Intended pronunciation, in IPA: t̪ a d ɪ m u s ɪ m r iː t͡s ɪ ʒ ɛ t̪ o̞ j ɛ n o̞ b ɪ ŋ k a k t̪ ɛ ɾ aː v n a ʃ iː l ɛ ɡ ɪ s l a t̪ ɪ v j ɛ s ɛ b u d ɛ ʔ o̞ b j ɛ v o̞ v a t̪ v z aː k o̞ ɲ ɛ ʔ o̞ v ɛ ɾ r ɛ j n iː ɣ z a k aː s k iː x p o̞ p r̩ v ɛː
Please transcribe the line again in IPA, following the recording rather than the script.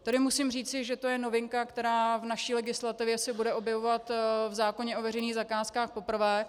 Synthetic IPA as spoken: t̪ a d ɪ m u s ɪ m r iː t͡s ɪ ʒ ɛ t̪ o̞ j ɛ n o̞ v ɪ ŋ k a k t̪ ɛ ɾ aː v n a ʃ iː l ɛ ɡ ɪ s l a t̪ ɪ v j ɛ s ɛ b u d ɛ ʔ o̞ b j ɛ v o̞ v a t̪ v z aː k o̞ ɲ ɛ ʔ o̞ v ɛ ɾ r ɛ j n iː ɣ z a k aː s k aː x p o̞ p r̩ v ɛː